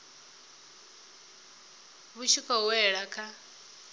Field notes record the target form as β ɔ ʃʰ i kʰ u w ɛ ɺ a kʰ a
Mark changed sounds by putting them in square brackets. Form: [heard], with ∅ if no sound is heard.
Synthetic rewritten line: β [u] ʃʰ i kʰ [ɔ] w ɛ ɺ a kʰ a